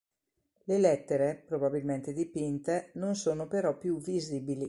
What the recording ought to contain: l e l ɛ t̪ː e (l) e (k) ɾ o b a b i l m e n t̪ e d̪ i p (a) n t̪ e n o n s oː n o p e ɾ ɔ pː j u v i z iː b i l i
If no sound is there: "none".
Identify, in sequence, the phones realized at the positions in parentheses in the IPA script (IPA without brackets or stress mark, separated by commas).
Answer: ɾ, p, i